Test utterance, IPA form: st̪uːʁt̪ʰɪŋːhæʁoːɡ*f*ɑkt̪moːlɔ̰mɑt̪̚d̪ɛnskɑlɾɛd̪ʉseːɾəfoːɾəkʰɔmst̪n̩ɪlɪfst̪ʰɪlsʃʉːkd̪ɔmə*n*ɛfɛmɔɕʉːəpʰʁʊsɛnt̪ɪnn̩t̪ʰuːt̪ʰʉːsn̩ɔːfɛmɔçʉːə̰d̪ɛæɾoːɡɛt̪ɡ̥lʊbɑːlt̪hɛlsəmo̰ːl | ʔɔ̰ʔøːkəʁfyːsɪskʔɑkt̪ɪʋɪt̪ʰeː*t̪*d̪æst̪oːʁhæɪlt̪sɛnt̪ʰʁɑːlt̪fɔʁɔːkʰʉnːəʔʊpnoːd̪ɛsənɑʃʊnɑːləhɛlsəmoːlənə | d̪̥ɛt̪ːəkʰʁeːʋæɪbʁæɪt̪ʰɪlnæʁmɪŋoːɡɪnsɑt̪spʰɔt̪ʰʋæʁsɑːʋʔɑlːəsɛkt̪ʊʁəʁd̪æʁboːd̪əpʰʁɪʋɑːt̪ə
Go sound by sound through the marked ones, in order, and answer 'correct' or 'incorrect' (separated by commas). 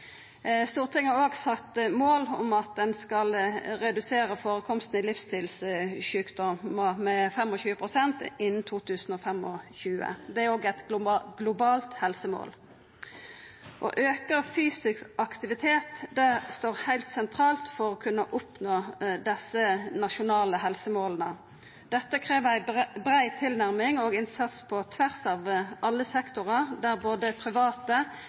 incorrect, incorrect, correct